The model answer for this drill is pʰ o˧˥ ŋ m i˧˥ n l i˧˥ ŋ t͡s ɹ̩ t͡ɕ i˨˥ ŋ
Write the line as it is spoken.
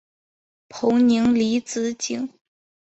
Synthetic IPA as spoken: pʰ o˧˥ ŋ n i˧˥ ŋ l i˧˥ t͡s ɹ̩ t͡ɕ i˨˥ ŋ